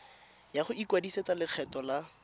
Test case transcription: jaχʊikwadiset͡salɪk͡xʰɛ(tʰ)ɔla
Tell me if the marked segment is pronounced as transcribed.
no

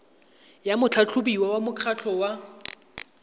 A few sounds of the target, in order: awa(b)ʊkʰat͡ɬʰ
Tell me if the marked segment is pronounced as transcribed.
no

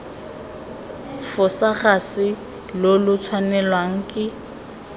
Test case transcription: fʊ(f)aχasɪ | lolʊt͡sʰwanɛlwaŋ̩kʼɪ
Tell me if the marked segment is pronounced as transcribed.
no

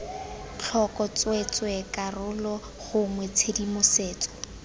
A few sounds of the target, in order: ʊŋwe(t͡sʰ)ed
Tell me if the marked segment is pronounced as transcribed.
yes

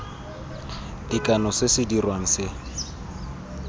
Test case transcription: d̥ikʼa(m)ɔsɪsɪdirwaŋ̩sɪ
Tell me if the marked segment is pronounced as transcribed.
no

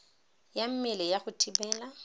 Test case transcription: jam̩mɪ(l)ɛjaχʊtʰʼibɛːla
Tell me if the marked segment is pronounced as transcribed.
yes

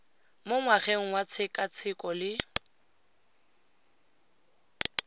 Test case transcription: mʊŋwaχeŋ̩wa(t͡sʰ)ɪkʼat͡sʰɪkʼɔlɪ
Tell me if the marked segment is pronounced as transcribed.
yes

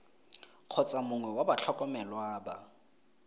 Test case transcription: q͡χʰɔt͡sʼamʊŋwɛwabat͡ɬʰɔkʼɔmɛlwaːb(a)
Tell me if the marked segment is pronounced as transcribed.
yes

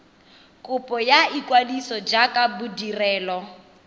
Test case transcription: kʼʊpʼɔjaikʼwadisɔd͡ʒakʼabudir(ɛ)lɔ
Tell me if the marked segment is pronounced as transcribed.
no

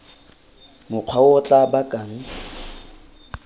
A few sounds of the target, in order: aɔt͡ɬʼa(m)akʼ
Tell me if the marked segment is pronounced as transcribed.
no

